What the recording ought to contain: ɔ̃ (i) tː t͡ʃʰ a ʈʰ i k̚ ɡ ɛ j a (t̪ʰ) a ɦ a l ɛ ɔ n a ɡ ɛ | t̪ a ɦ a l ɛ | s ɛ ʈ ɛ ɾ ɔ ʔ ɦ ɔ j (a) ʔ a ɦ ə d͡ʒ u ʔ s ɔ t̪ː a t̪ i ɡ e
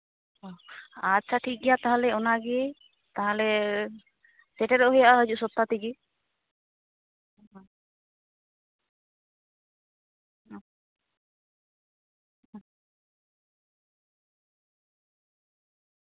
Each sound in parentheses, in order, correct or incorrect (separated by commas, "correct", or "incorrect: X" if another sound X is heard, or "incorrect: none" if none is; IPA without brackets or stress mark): incorrect: a, incorrect: t̪, correct